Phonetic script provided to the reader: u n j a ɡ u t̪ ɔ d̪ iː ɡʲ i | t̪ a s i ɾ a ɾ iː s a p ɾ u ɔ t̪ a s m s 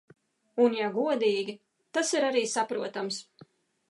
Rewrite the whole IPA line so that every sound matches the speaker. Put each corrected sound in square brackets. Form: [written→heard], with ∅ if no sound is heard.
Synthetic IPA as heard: u n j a ɡ u [t̪→∅] ɔ d̪ iː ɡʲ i | t̪ a s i ɾ a ɾ iː s a p ɾ u ɔ t̪ a [s→∅] m s